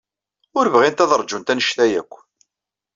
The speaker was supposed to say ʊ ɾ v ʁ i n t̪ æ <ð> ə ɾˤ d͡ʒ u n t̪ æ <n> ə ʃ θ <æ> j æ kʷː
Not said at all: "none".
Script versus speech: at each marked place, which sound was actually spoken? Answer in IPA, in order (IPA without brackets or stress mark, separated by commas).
ð, n, æ